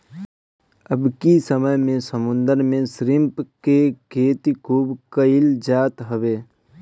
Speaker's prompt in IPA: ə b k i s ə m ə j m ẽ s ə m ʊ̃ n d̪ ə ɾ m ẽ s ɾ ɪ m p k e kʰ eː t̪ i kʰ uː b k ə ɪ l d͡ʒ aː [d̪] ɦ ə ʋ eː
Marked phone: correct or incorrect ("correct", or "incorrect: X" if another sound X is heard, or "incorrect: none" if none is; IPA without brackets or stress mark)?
incorrect: t̪